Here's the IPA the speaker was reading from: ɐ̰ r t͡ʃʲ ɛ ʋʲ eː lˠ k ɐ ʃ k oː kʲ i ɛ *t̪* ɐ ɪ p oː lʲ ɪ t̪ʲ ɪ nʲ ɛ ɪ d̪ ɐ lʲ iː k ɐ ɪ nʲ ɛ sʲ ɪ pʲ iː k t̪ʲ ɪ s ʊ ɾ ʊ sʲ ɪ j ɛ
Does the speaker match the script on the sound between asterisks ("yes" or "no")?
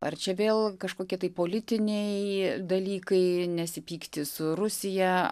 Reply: yes